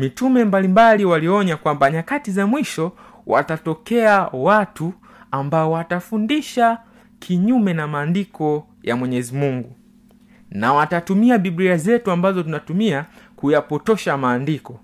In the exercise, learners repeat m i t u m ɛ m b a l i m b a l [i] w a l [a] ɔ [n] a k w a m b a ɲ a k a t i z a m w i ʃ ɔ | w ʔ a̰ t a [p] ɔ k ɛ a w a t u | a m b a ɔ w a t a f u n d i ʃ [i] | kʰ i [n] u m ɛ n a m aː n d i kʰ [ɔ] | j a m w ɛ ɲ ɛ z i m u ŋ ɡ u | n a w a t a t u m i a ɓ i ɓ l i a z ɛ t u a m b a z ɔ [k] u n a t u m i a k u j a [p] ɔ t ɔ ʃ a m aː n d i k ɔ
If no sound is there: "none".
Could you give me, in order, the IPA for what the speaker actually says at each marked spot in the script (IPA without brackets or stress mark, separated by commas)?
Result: i, i, ɲ, t, a, ɲ, ɔ, t, p